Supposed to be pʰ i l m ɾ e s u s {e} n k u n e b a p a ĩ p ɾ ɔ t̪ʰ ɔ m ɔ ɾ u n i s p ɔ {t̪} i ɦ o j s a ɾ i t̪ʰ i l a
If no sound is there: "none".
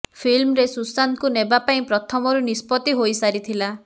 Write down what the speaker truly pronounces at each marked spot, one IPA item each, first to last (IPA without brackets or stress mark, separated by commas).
a, t̪